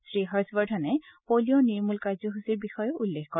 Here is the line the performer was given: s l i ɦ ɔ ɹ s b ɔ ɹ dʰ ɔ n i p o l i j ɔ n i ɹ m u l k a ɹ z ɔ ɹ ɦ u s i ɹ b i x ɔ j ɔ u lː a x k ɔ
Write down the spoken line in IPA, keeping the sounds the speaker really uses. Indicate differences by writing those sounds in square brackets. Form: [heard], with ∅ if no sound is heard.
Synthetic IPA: s [ɹ] i ɦ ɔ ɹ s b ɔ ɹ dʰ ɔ n [ɛ] p o l i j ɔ n i ɹ m u l k a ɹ z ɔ [∅] ɦ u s i ɹ b i x ɔ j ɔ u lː [e] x k ɔ